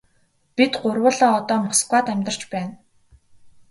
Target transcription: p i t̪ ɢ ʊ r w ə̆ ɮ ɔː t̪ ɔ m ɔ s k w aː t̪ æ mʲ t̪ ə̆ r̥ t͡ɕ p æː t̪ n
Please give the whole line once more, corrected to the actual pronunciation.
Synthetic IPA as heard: p i t̪ ɢ ʊ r w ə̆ ɮ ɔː t̪ ɔː m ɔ s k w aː t̪ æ mʲ t̪ ə̆ r̥ t͡ɕ p æː n